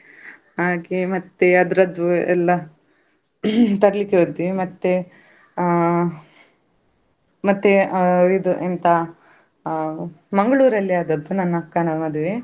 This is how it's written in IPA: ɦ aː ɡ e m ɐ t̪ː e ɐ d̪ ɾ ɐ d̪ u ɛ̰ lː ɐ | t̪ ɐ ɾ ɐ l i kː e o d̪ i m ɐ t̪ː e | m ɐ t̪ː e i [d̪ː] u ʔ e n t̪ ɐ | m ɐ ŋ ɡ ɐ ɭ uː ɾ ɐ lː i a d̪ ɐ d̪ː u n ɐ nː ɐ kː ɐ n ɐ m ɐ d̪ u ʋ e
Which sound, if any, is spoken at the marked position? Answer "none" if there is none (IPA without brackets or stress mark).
d̪